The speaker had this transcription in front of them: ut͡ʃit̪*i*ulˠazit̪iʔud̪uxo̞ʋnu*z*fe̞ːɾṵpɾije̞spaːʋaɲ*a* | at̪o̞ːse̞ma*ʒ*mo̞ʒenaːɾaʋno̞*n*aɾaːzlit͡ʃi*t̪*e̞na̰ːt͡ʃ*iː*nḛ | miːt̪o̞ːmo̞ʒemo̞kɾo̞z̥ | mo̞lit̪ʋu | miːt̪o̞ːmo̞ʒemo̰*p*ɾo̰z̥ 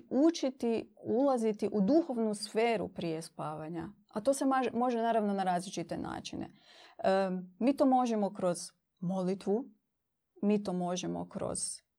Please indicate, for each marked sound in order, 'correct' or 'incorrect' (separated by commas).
correct, incorrect, correct, correct, correct, correct, incorrect, incorrect